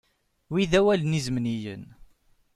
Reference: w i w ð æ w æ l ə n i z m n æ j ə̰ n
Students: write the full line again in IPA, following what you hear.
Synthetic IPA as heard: w i ð æ w æ l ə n i z m n i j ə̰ n